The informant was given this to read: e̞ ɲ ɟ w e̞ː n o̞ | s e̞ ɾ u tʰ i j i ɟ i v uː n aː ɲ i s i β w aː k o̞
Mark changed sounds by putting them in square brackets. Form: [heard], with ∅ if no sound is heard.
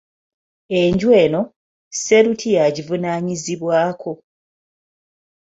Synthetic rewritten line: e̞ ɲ ɟ w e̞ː n o̞ | s e̞ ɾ u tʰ i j [a] ɟ i v [u] n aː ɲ i [z] i β w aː k o̞